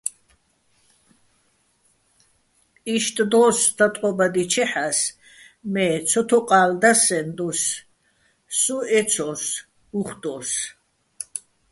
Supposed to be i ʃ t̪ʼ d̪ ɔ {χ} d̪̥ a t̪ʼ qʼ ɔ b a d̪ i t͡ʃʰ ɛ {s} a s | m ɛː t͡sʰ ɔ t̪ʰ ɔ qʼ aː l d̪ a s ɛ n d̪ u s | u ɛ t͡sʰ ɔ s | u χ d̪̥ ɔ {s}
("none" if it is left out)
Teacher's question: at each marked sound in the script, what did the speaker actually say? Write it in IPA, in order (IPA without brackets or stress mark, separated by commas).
s, ħ, s